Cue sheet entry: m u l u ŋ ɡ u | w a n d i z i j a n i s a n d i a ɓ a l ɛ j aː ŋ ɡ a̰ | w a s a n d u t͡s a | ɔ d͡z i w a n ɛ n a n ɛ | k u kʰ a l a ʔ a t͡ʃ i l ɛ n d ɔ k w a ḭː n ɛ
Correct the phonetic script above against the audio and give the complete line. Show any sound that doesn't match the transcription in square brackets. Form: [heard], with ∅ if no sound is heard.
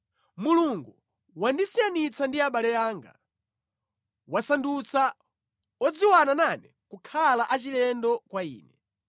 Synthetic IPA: m u l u ŋ ɡ u | w a n d i [s] i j a n i [t͡s] a n d i a ɓ a l ɛ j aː ŋ ɡ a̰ | w a s a n d u t͡s a | ɔ d͡z i w a n [a] n a n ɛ | k u kʰ a l a ʔ a t͡ʃ i l ɛ n d ɔ k w a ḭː n ɛ